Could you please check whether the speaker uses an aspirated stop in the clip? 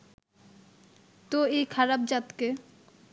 yes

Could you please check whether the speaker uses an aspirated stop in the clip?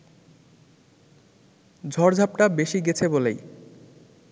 yes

